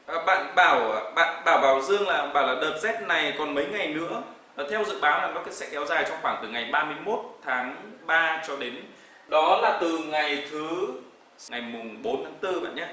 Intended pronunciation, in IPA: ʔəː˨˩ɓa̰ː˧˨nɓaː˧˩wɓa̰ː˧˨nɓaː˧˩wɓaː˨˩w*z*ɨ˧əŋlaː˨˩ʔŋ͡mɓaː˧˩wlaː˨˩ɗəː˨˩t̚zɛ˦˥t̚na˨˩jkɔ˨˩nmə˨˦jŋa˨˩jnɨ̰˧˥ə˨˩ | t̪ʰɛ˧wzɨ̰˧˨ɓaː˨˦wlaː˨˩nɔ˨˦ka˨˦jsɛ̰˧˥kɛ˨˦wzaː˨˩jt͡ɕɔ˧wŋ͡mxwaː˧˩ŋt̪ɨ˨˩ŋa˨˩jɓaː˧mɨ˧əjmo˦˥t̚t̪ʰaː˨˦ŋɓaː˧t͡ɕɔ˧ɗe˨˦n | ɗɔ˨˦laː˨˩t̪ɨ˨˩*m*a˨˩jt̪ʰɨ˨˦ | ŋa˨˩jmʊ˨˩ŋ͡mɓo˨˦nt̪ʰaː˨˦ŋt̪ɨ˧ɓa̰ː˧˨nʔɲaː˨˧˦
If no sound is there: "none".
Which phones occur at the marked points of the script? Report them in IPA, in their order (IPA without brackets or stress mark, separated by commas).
z, ŋ